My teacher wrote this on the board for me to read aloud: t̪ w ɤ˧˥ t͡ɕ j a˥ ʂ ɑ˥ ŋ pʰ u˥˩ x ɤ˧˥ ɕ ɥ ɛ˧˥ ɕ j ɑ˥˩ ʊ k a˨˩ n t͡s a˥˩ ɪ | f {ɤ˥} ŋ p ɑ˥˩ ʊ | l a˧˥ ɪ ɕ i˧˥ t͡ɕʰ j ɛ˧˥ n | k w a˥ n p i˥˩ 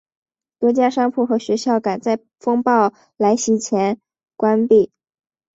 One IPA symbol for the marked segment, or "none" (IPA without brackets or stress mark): ɤ˥